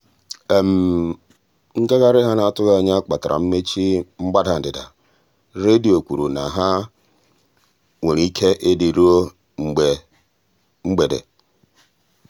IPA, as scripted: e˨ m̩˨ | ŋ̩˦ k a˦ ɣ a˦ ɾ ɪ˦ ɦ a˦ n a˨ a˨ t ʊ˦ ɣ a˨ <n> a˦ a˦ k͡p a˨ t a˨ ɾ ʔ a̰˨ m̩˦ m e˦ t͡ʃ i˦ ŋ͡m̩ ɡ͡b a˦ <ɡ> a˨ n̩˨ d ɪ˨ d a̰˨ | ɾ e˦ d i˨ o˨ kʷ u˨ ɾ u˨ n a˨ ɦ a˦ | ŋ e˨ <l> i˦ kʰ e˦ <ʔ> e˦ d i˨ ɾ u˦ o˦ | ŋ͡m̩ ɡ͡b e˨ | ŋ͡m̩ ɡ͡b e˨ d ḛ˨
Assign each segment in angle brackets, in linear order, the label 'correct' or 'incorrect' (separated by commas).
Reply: incorrect, incorrect, incorrect, correct